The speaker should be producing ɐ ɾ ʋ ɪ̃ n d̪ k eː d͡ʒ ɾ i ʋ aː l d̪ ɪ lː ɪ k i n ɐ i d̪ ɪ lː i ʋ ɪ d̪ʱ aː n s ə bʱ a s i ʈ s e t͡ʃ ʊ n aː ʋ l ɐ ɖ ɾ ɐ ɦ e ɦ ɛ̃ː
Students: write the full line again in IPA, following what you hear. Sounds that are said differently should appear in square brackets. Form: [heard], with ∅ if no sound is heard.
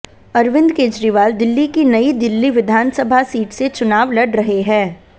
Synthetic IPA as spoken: ɐ ɾ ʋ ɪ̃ n d̪ k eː d͡ʒ ɾ i ʋ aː l d̪ ɪ lː [i] k i n ɐ i d̪ ɪ lː i ʋ ɪ d̪ʱ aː n s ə bʱ a s [iː] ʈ s e t͡ʃ ʊ n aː ʋ l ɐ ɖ ɾ ɐ ɦ e ɦ ɛ̃ː